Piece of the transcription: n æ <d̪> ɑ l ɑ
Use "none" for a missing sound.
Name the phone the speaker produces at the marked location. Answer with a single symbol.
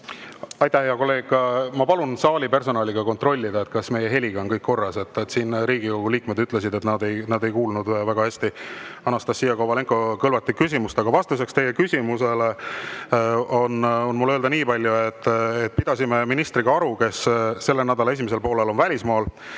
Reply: d̪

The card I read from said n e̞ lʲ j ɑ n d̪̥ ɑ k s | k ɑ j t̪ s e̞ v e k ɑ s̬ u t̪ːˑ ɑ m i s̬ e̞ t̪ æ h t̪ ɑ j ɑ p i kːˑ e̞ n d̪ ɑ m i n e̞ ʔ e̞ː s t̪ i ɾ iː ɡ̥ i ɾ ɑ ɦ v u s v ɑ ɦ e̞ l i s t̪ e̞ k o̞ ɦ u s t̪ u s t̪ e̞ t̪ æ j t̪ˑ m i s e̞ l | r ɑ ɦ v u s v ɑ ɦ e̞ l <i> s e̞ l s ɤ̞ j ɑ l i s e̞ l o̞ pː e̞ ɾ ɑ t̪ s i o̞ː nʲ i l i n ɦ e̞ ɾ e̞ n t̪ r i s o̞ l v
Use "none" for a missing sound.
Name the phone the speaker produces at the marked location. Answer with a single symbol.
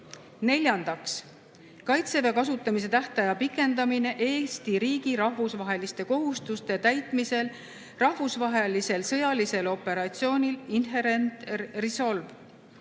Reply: i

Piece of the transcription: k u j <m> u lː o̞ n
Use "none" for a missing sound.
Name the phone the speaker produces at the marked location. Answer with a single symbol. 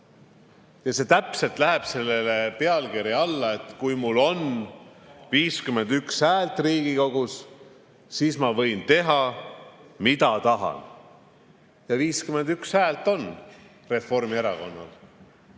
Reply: m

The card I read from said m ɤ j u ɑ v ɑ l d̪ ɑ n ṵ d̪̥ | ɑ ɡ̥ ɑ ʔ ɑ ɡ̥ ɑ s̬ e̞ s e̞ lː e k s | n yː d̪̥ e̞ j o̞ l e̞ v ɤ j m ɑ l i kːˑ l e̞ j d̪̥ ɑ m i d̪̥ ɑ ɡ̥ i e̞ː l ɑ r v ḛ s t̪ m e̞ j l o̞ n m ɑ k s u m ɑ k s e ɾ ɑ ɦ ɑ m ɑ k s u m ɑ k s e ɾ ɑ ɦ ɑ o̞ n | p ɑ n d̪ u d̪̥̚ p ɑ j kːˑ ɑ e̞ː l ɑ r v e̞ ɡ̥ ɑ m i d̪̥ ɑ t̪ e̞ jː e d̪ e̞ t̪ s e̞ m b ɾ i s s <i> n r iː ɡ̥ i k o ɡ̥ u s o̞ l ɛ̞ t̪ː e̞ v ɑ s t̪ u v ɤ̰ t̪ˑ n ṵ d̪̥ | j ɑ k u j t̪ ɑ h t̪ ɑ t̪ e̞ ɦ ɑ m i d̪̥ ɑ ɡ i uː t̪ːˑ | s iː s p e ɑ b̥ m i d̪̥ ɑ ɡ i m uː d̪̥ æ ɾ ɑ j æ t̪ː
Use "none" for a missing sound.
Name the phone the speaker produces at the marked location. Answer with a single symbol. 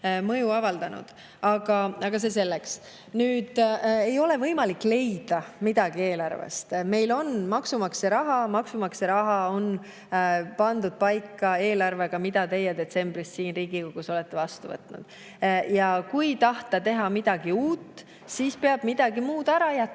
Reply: iː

